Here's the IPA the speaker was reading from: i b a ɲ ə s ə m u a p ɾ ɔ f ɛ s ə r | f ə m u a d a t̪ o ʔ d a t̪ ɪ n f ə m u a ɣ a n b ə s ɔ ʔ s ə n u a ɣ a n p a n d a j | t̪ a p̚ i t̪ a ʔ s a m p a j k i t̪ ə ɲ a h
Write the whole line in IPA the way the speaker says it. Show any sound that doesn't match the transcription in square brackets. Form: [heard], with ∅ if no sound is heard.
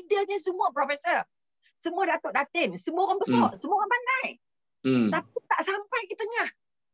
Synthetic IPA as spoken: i [d] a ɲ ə s ə m u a p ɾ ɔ f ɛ s ə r | [s] ə m u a d a t̪ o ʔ d a t̪ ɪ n [s] ə m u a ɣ a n b ə s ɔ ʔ s ə [m] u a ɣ a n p a n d a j | t̪ a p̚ i t̪ a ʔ s a m p a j k i t̪ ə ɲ a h

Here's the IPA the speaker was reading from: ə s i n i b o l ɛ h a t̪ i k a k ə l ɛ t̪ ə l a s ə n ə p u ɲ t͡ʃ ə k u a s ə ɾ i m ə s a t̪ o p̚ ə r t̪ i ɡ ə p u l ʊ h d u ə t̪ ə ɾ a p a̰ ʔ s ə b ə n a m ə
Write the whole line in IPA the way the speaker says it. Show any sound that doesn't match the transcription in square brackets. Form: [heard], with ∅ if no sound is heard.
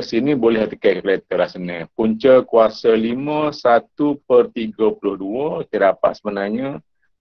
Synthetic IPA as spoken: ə s i n i b o l ɛ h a t̪ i k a k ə l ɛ t̪ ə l a s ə n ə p u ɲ t͡ʃ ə k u a s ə [l] i m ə s a t̪ [u] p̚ ə r t̪ i ɡ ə p u l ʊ h d u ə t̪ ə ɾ a p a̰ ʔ s ə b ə n a [ɲ] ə

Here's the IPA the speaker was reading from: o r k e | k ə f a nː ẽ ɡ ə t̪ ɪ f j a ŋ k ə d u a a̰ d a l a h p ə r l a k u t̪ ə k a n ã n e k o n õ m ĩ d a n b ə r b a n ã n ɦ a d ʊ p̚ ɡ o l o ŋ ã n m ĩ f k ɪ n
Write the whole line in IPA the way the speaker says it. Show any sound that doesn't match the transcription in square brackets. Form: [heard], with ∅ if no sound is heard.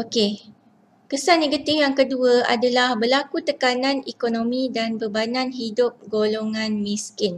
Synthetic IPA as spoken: o [∅] k e | k ə [s] a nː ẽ ɡ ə t̪ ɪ f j a ŋ k ə d u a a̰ d a l a h [b] ə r l a k u t̪ ə k a n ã n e k o n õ m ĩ d a n b ə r b a n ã n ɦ [i] d ʊ p̚ ɡ o l o ŋ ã n m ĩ [s] k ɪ n

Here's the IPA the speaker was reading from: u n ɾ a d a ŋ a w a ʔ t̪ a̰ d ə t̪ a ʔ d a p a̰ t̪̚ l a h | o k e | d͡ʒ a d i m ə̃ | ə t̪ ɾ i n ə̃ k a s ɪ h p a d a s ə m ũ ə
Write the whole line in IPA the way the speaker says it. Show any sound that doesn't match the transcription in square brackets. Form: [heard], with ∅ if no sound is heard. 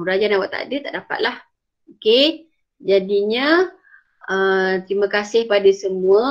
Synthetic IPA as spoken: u [∅] ɾ a [d͡ʒ] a [n] a w a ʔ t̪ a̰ d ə t̪ a ʔ d a p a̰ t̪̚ l a h | o k e | d͡ʒ a d i [ɲ] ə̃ | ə t̪ ɾ i [m] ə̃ k a s ɪ h p a d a s ə m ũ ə

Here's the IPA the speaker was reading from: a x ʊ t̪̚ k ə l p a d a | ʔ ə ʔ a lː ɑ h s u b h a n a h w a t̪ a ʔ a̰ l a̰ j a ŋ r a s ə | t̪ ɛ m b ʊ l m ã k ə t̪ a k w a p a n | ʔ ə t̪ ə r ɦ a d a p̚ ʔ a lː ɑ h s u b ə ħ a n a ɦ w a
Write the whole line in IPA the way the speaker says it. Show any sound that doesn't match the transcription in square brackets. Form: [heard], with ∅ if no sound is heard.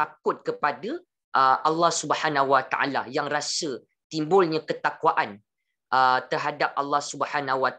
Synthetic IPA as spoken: a [k] ʊ t̪̚ k ə [∅] p a d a | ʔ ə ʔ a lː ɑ h s u b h a n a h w a t̪ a ʔ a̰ l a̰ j a ŋ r a s ə | t̪ [i] m b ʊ l [ɲ] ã k ə t̪ a k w a [ʔ] a n | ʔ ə t̪ ə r ɦ a d a p̚ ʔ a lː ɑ h s u b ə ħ a n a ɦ w a

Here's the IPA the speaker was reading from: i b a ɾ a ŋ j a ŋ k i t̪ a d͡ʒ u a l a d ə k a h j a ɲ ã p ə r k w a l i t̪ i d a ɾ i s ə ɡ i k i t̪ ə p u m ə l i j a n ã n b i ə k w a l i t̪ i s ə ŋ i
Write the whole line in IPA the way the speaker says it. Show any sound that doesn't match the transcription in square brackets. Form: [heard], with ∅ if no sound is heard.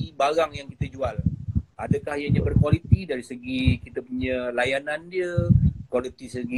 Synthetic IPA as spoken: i b a ɾ a ŋ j a ŋ k i t̪ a d͡ʒ u a l a d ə k a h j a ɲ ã [b] ə r k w a l i t̪ i d a ɾ i s ə ɡ i k i t̪ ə p u [ɲ] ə l [a] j a n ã n [d] i ə k w a l i t̪ i s ə [ɡ] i

